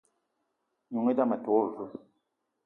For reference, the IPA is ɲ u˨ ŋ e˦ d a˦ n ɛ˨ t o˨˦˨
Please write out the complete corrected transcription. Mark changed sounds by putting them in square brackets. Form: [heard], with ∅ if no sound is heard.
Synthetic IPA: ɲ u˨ ŋ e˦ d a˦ [m] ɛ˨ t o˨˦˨